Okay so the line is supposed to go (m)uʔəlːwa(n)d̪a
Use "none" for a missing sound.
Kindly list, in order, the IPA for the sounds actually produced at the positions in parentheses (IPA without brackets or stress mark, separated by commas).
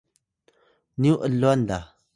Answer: n, n